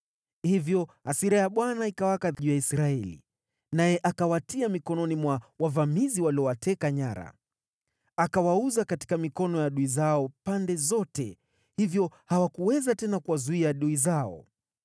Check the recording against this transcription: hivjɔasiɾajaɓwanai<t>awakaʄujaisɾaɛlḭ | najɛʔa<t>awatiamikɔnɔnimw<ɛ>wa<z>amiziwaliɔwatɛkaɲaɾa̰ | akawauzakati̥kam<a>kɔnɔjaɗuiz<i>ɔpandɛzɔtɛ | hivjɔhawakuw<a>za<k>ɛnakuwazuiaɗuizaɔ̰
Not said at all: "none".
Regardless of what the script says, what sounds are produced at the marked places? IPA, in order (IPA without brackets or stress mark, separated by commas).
k, k, a, v, i, a, ɛ, t